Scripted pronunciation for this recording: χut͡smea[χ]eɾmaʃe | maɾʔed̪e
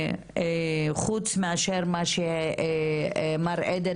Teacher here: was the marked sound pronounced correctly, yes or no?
no